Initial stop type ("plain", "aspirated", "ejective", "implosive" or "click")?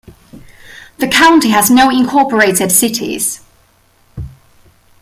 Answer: aspirated